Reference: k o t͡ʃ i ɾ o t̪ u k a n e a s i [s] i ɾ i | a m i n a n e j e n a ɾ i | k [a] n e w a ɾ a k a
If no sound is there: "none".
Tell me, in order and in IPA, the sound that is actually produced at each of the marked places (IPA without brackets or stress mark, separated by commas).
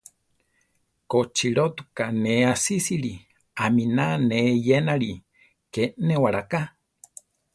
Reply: s, e